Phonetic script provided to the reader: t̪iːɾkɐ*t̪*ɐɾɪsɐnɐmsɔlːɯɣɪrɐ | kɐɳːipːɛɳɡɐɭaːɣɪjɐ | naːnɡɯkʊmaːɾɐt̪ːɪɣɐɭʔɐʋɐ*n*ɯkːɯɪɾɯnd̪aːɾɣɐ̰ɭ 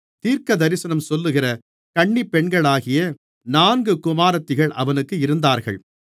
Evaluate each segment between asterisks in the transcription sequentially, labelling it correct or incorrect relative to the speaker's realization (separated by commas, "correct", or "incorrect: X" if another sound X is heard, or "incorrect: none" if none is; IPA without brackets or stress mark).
incorrect: d̪, correct